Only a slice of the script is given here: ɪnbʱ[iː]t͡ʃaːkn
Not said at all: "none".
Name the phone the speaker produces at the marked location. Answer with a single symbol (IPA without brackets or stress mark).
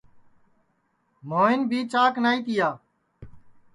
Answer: iː